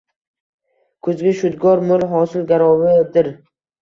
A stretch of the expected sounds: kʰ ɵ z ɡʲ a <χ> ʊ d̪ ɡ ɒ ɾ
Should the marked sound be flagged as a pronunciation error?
yes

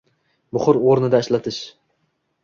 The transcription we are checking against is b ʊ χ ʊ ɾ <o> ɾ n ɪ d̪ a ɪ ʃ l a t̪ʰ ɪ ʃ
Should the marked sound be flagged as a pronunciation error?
no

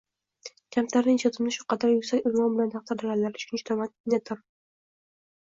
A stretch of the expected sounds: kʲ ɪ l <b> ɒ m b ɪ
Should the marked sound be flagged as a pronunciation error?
yes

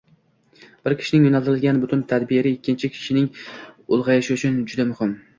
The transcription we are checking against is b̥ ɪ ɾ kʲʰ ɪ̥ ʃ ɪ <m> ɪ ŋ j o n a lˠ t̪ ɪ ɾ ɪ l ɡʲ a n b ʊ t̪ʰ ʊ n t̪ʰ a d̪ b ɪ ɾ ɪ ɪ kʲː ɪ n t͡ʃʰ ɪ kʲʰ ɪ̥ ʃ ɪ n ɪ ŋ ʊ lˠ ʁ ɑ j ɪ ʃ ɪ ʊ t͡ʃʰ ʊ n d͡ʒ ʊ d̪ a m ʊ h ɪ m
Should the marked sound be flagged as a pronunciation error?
yes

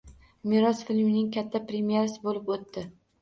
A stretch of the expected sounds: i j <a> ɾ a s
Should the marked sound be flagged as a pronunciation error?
yes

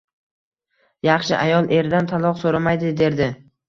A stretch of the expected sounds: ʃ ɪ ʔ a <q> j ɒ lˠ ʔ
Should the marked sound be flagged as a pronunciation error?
yes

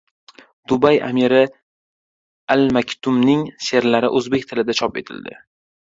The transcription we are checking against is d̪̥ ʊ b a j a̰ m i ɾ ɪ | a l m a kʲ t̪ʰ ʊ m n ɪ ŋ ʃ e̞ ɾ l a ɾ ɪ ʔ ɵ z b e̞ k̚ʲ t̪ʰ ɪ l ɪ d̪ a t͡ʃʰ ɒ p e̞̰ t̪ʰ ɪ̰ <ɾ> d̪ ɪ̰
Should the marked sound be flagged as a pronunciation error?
yes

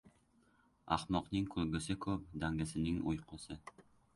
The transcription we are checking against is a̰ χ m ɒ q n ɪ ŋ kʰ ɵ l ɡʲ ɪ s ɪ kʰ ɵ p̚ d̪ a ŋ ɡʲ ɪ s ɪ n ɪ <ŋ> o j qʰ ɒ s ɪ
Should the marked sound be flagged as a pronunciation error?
no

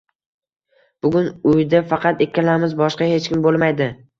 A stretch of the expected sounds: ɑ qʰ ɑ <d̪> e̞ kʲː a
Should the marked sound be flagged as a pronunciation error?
yes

